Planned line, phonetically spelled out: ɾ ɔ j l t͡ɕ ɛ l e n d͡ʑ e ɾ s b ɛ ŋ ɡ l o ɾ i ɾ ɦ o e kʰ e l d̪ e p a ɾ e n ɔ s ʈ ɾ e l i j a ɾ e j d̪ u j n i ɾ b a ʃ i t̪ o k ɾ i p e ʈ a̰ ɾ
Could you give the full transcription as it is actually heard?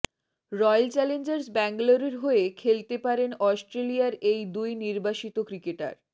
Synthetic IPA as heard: ɾ ɔ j l t͡ɕ ɛ l e n d͡ʑ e ɾ s b ɛ ŋ ɡ l o ɾ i ɾ ɦ o e kʰ e l t̪ e p a ɾ e n ɔ s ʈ ɾ e l i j a ɾ e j d̪ u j n i ɾ b a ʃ i t̪ o k ɾ i k e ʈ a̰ ɾ